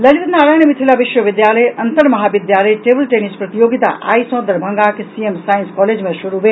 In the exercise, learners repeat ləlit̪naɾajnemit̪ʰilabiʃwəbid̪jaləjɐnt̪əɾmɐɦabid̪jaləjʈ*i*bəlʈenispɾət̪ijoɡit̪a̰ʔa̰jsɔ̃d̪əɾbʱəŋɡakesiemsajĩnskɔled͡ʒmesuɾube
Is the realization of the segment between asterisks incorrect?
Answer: yes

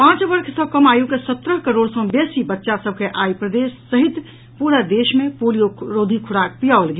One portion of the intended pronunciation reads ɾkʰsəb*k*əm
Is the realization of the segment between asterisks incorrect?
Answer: no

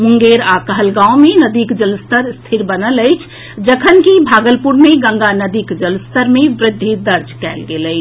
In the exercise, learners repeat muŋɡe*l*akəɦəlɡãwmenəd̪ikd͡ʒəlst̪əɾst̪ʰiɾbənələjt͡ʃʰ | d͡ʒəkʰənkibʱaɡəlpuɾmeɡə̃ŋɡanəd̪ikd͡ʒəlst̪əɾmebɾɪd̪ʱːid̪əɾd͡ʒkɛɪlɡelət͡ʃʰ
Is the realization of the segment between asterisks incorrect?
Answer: yes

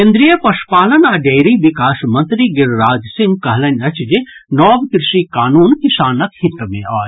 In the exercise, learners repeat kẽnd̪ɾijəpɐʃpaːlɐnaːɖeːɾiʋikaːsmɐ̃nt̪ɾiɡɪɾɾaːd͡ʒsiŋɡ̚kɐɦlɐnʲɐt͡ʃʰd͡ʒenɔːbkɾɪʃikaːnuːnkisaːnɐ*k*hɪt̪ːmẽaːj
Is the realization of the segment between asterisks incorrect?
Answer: no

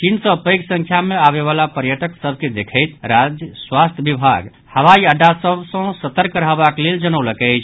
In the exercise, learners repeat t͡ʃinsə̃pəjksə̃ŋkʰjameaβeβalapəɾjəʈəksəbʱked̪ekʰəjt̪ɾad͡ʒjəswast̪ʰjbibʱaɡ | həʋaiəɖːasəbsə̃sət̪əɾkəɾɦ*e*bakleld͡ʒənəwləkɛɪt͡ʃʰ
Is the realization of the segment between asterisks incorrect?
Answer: yes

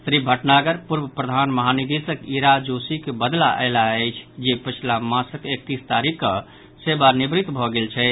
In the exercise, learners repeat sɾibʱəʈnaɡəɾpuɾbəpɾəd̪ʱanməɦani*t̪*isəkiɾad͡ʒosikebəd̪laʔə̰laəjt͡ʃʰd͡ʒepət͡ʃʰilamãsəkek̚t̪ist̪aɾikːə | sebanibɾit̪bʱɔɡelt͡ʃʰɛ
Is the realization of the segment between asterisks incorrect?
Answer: yes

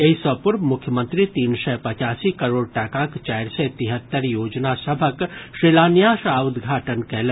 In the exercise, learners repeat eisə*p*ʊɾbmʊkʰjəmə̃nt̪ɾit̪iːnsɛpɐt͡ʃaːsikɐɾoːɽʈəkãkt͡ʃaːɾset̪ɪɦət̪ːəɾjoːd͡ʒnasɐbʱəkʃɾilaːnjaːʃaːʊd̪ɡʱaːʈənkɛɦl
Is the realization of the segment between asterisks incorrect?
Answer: no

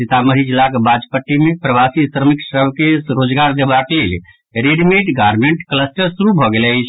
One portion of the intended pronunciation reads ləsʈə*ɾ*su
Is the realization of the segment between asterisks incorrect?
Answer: no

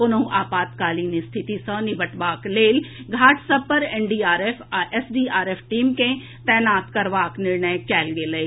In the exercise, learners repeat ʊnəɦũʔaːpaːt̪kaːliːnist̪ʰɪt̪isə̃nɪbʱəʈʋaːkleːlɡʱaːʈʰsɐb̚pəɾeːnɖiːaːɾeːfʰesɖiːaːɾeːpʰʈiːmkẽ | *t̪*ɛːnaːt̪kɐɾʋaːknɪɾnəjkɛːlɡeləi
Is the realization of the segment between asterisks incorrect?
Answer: no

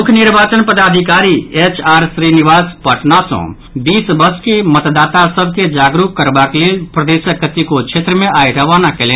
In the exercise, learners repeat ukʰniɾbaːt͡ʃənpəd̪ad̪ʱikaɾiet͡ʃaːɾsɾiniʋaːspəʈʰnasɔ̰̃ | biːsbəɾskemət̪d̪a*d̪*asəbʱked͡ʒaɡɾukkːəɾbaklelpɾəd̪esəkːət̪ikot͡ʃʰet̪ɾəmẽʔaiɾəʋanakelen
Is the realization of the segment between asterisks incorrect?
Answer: yes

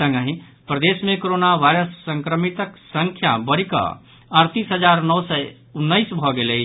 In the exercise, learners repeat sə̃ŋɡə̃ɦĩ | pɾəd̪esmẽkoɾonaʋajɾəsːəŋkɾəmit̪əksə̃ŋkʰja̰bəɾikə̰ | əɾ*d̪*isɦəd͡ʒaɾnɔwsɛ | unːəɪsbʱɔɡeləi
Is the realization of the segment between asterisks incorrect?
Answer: yes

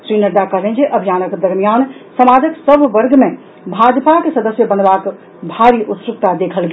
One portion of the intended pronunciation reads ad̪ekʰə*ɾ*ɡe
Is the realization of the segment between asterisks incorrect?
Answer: yes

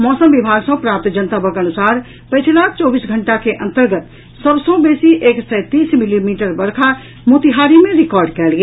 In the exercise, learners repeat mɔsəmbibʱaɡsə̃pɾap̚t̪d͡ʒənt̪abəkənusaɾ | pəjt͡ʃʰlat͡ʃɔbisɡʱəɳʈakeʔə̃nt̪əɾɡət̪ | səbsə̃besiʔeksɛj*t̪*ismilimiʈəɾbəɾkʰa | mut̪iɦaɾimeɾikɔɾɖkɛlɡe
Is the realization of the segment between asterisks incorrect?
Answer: no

